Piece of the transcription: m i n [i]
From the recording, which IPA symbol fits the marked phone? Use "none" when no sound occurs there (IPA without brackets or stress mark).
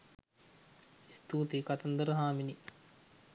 i